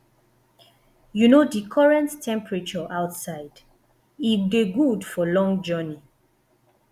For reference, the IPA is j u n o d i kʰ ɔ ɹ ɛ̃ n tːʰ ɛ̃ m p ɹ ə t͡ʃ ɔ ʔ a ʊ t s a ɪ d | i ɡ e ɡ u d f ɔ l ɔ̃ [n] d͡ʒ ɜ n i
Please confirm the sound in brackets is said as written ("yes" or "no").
no